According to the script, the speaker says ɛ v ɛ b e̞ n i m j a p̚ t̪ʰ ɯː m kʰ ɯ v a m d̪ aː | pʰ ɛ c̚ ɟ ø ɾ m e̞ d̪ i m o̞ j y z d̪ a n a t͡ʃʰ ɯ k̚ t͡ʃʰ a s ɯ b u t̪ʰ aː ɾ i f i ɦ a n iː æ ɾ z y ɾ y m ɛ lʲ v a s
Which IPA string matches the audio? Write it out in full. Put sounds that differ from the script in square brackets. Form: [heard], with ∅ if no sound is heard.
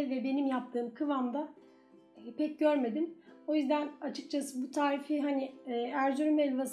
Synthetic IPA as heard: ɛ v ɛ b e̞ n i m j a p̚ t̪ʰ ɯː m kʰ ɯ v a m d̪ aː | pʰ ɛ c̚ ɟ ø ɾ m e̞ d̪ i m o̞ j y z d̪ [æ] n a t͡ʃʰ ɯ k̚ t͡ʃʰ a s ɯ b u t̪ʰ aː ɾ i f i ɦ a n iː æ ɾ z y ɾ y m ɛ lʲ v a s